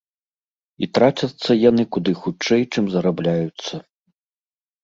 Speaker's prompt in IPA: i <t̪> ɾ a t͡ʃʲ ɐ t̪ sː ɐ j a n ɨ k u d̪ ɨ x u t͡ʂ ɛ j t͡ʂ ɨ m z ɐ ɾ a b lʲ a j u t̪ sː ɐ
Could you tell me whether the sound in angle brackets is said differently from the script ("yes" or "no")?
no